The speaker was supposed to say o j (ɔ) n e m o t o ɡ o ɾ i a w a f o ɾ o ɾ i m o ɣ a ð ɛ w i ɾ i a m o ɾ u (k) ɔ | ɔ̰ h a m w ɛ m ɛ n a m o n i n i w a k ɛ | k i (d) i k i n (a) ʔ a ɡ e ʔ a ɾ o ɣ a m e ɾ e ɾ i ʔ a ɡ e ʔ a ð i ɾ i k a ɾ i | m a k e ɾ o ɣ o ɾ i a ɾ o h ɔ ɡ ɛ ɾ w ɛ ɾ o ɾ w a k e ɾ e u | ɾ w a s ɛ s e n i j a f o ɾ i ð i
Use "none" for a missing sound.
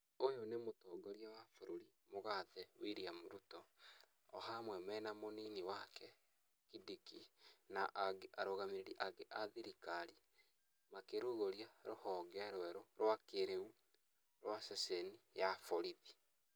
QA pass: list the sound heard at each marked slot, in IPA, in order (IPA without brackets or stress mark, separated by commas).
o, t, d, a